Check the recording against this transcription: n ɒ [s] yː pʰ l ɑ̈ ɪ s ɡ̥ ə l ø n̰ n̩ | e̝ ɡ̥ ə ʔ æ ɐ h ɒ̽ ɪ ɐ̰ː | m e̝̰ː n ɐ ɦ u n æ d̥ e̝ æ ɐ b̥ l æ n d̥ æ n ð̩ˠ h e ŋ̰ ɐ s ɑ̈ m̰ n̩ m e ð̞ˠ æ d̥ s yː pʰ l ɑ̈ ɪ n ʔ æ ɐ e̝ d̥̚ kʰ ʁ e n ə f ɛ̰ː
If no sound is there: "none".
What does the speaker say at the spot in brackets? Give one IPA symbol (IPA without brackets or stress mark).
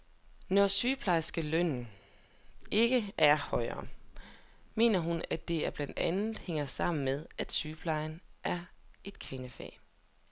s